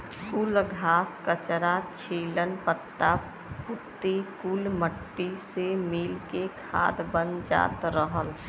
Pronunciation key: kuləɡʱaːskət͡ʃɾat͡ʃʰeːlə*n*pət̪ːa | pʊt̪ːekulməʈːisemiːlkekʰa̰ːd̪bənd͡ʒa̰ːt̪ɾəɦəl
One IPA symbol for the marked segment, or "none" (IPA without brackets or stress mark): n